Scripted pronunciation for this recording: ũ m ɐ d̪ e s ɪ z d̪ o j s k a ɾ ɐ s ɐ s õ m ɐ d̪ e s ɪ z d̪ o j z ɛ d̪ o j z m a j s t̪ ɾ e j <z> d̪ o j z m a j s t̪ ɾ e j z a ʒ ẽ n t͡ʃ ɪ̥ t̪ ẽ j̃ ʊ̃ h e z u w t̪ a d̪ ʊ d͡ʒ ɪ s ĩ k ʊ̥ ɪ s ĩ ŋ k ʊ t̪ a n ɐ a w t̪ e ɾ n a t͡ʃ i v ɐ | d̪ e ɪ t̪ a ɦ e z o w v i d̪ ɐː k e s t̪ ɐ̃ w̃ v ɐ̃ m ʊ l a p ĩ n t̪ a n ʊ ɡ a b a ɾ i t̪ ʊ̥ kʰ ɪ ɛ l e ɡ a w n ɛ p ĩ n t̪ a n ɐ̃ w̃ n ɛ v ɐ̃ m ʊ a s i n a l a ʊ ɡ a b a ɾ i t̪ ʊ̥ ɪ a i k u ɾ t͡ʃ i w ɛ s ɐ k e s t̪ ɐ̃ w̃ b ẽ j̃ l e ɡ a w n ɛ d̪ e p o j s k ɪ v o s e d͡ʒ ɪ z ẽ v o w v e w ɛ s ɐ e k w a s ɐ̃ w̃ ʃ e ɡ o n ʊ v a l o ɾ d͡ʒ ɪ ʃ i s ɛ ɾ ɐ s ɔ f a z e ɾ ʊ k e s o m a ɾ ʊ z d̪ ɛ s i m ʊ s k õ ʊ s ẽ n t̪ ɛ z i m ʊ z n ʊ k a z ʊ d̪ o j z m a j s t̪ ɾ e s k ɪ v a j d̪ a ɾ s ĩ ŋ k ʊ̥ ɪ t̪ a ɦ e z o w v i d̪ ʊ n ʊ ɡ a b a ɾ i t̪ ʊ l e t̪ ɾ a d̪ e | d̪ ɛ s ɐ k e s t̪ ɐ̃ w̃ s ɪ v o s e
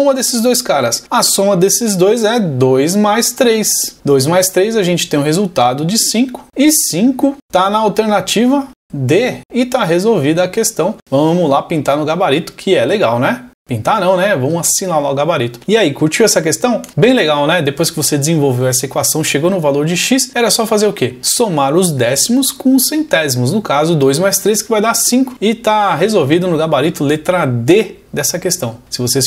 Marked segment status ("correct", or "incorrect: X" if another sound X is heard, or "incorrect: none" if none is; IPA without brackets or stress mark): incorrect: s